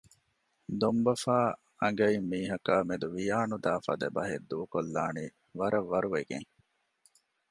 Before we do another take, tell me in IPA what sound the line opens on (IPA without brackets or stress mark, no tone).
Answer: d̪